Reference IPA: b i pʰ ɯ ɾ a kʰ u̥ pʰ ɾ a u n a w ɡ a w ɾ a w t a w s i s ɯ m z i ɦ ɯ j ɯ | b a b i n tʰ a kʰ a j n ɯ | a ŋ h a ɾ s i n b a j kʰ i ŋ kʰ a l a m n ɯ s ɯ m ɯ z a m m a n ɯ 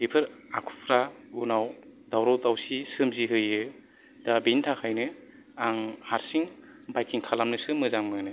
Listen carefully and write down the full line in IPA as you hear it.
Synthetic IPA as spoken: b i pʰ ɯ ɾ a kʰ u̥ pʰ ɾ a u n a w d a w ɾ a w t a w s i s ɯ m z i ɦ ɯ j ɯ | d a b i n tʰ a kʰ a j n ɯ | a ŋ h a ɾ s i ŋ b a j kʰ i ŋ kʰ a l a m n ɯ s ɯ m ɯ z a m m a n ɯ